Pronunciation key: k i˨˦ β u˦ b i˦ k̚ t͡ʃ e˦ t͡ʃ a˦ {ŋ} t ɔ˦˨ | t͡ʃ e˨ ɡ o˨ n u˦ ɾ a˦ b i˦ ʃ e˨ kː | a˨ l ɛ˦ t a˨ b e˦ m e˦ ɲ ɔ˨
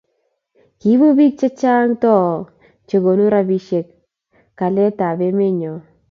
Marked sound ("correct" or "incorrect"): correct